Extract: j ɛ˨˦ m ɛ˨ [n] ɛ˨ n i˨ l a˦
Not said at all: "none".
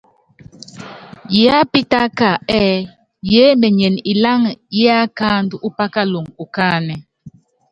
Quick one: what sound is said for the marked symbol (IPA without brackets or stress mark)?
ɲ